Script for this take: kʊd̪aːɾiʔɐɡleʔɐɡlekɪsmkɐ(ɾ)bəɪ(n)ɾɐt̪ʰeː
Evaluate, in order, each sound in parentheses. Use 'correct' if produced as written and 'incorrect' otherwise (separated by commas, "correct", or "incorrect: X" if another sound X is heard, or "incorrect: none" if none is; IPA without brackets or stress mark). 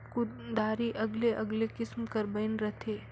correct, correct